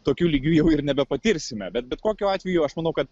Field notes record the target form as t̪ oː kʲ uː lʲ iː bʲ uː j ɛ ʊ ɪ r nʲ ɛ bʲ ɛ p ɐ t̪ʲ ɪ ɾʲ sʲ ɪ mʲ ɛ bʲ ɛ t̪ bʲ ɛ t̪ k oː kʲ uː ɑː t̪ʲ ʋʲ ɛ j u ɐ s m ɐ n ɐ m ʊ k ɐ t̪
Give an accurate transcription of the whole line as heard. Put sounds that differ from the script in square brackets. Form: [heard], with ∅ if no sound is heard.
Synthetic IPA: t̪ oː kʲ uː lʲ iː [ɡʲ] uː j ɛ ʊ ɪ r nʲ ɛ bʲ ɛ p ɐ t̪ʲ ɪ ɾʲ sʲ ɪ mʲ ɛ bʲ ɛ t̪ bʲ ɛ t̪ k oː kʲ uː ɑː t̪ʲ ʋʲ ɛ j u ɐ [ʃ] m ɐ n ɐ [∅] ʊ k ɐ t̪